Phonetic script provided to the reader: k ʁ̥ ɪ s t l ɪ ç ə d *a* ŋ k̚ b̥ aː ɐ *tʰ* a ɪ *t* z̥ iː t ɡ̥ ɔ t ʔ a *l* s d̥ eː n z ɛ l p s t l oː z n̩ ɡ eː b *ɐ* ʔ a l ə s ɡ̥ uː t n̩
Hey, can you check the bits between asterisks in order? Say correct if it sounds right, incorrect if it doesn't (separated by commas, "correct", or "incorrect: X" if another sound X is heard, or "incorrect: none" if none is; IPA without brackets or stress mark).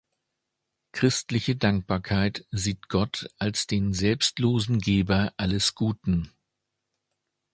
correct, incorrect: kʰ, correct, correct, correct